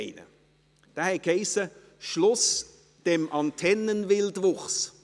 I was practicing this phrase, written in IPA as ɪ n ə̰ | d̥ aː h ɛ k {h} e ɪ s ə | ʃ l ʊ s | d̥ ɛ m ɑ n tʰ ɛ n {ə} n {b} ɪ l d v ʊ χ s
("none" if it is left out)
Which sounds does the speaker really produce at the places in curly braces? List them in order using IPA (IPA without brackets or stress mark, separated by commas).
h, ə, v